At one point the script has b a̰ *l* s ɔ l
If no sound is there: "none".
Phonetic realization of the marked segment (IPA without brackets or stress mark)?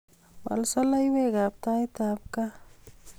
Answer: l